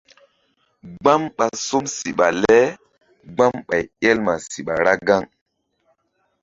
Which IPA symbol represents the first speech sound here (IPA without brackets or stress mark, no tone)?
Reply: ɡ͡b